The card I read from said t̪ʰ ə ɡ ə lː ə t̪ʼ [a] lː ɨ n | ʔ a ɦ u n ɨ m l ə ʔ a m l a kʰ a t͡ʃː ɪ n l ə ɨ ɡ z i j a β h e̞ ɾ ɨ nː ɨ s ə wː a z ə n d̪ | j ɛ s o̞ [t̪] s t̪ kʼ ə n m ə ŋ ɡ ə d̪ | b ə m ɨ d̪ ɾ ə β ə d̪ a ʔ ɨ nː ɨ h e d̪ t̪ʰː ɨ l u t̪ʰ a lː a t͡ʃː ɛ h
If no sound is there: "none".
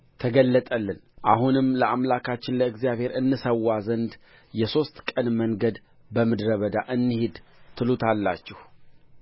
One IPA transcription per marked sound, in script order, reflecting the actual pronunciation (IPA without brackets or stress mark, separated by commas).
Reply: ə, none